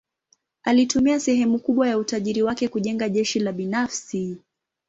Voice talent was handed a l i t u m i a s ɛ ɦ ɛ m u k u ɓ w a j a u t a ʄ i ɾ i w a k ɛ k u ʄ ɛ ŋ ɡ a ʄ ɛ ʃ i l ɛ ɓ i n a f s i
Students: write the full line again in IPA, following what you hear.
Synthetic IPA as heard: a l i t u m i a s ɛ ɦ ɛ m u k u ɓ w a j a u t a ʄ i ɾ i w a k ɛ k u ʄ ɛ ŋ ɡ a ʄ ɛ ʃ i l a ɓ i n a f s i